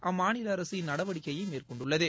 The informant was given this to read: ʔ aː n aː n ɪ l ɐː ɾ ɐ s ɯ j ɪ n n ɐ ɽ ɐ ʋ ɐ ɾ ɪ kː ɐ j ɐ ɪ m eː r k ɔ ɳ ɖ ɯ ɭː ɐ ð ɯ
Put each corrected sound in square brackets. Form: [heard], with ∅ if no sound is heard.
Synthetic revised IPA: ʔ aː [m] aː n ɪ l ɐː ɾ ɐ s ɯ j ɪ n n ɐ ɽ ɐ ʋ ɐ [ɽ] ɪ kː ɐ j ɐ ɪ m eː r k ɔ ɳ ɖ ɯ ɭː ɐ ð ɯ